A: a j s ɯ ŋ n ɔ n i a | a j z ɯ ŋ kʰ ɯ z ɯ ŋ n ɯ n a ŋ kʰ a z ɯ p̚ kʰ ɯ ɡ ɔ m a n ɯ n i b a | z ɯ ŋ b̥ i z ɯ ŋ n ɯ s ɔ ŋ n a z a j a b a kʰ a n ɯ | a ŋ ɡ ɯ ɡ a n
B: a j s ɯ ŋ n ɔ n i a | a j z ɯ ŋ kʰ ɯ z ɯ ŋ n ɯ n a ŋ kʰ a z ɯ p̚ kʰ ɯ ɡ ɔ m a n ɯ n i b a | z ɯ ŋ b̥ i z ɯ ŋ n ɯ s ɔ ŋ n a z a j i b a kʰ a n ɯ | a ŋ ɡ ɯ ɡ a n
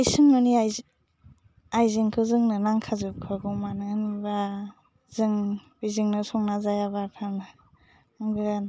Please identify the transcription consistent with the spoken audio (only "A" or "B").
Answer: A